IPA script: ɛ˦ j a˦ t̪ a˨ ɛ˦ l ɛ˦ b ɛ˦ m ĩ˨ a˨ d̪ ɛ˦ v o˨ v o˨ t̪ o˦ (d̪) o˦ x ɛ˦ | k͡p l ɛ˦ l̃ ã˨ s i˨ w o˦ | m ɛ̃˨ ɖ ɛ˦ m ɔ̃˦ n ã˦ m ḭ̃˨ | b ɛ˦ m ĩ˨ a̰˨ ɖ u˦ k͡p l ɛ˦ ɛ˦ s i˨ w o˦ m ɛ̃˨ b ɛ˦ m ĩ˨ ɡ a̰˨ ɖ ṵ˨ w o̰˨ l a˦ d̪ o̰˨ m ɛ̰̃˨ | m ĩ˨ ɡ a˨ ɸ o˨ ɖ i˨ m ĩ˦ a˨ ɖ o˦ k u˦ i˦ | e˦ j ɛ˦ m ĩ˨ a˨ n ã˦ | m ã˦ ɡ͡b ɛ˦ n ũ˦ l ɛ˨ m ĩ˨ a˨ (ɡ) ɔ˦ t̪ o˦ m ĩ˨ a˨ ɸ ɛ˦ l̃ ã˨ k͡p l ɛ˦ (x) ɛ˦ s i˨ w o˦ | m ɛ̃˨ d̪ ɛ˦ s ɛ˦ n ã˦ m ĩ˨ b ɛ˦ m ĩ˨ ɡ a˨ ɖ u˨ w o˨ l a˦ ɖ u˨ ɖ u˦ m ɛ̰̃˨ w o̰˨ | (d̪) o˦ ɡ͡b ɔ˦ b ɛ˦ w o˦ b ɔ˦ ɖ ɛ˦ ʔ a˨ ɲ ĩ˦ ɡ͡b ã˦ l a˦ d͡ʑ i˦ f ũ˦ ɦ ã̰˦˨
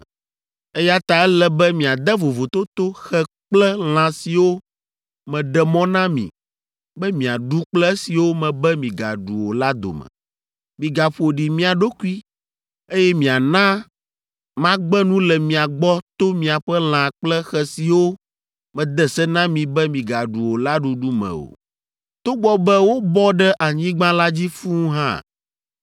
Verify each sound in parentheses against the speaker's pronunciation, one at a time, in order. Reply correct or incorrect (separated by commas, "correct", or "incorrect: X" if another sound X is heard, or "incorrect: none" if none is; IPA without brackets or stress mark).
incorrect: t̪, incorrect: ɡ͡b, correct, incorrect: t̪